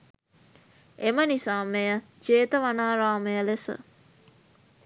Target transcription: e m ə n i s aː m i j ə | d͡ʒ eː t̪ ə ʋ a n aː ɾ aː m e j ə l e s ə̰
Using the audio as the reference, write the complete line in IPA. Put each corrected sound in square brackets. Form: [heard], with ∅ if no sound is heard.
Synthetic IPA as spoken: e m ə n i s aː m [e] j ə | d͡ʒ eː t̪ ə ʋ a n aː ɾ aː m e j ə l e s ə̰